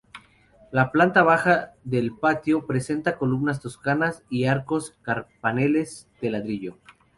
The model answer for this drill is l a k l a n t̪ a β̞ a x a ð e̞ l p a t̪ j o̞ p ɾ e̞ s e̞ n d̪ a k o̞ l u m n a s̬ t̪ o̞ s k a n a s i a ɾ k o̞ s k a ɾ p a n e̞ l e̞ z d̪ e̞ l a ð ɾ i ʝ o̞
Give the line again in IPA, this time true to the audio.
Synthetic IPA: l a p l a n t̪ a β̞ a x a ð e̞ l p a t̪ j o̞ p ɾ e̞ s e̞ n t̪ a k o̞ l u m n a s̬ t̪ o̞ s k a n a s i a ɾ k o̞ s k a ɾ p a n e̞ l e̞ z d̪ e̞ l a ð ɾ i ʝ o̞